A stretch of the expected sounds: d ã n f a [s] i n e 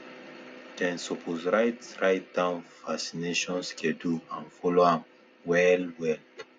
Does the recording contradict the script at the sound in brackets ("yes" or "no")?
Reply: no